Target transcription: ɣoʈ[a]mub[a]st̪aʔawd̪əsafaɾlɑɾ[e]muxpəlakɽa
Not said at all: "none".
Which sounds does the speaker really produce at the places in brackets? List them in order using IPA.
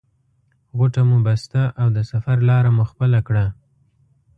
a, a, a

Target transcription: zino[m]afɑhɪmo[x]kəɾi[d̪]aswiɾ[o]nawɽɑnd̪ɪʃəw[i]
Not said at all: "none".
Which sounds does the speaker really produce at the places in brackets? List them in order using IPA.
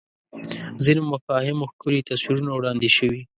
m, x, t̪, u, i

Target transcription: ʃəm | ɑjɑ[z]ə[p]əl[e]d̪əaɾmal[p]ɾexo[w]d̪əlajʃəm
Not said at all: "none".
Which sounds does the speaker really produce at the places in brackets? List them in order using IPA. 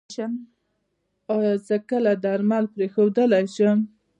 z, k, a, p, w

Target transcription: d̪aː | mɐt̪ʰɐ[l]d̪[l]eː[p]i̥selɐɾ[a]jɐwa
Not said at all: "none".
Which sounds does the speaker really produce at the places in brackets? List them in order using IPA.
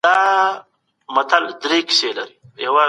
l, ɾ, k, i

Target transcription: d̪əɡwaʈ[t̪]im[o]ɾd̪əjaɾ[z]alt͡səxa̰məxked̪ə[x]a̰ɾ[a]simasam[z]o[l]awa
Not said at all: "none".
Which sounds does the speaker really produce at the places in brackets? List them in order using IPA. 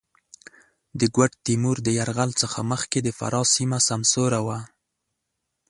t̪, u, ɣ, f, ɑ, s, ɾ

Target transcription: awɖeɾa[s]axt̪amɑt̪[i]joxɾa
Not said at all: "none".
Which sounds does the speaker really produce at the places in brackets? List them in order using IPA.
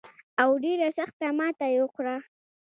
s, a

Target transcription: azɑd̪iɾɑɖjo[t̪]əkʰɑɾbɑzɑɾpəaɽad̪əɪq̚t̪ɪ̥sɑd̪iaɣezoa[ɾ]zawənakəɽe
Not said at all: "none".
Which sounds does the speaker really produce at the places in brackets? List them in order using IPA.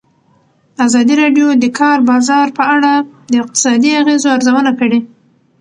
d̪, ɾ

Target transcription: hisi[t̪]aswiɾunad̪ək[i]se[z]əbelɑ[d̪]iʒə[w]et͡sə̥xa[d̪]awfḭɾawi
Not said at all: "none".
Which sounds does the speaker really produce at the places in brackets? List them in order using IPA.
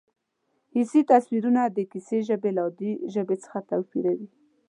t̪, i, ʒ, d̪, b, t̪

